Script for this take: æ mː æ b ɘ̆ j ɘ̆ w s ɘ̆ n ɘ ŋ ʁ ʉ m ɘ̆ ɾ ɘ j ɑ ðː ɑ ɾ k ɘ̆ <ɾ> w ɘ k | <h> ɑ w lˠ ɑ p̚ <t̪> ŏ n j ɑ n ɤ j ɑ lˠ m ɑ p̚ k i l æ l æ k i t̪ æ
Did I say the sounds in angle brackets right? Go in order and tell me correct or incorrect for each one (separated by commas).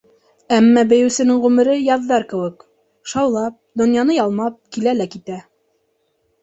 incorrect, incorrect, incorrect